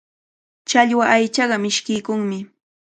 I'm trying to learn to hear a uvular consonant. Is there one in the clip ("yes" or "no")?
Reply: yes